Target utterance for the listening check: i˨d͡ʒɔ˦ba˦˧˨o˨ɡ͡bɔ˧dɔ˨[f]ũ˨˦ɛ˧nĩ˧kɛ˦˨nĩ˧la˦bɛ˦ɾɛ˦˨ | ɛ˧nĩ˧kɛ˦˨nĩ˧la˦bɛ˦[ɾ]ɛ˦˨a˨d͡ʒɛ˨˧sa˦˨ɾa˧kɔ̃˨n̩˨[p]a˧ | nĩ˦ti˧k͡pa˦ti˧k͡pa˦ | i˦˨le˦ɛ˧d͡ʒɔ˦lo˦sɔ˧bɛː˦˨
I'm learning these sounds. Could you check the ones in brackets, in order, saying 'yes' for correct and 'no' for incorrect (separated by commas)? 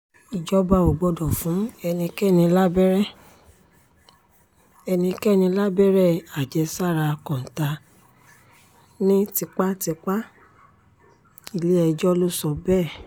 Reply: yes, yes, no